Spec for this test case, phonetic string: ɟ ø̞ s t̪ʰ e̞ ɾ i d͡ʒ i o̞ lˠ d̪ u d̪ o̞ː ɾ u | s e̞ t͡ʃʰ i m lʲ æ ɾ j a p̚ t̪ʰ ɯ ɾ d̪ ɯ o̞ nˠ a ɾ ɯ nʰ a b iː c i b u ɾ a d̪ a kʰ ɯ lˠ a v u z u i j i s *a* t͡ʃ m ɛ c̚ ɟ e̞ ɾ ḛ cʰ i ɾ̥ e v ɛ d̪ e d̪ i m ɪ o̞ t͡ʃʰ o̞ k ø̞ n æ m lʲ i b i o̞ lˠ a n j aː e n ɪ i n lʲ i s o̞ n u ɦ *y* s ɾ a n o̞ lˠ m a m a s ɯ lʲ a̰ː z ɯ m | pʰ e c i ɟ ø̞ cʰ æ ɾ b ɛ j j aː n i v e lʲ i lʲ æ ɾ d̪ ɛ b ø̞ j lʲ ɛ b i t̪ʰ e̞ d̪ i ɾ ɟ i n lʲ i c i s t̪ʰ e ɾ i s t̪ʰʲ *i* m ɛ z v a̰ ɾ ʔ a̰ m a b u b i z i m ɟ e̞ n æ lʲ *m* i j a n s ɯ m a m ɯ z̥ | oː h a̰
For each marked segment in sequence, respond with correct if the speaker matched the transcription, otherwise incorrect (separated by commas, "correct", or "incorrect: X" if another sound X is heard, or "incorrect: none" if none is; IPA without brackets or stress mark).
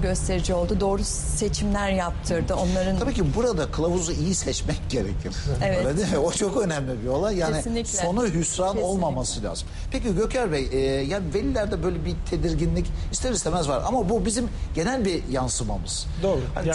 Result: incorrect: ɛ, correct, incorrect: e, incorrect: b